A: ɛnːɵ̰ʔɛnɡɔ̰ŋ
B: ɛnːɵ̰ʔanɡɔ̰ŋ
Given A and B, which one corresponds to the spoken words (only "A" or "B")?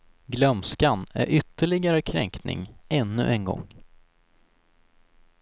A